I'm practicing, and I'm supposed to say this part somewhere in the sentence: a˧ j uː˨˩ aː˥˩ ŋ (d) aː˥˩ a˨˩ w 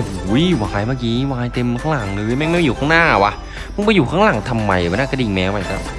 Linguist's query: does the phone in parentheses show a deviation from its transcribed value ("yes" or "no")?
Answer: yes